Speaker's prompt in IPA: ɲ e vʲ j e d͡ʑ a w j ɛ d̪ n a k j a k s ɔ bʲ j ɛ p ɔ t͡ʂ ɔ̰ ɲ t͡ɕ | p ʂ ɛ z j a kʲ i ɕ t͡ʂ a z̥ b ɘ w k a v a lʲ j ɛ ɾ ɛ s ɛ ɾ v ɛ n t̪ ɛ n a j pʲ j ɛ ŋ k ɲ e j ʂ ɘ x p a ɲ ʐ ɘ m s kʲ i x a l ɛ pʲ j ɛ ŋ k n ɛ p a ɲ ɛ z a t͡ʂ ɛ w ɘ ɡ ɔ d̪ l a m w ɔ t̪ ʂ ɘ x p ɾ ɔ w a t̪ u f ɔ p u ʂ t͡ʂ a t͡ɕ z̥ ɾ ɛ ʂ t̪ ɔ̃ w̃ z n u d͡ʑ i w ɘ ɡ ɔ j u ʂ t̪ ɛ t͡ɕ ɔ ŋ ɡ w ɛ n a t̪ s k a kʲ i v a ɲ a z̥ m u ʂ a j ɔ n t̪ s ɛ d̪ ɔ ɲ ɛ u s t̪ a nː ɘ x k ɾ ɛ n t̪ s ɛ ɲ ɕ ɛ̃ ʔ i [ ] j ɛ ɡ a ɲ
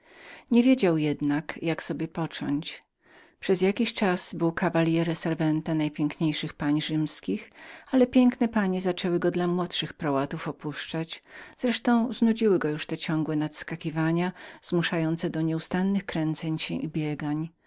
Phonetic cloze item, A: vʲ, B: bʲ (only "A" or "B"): B